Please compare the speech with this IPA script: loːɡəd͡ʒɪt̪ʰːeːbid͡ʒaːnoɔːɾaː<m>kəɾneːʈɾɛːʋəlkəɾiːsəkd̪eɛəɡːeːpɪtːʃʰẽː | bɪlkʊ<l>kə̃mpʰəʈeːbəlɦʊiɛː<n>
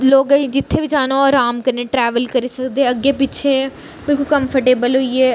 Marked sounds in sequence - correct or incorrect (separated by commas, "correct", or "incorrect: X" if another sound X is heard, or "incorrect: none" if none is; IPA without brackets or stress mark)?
correct, correct, incorrect: none